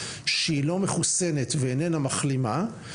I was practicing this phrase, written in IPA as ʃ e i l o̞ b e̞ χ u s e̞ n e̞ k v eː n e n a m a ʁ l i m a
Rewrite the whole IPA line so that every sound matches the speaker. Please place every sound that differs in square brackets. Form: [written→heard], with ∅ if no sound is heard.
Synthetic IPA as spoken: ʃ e i l o̞ [b→m] e̞ χ u s e̞ n e̞ [k→t] v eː n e n a m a [ʁ→χ] l i m a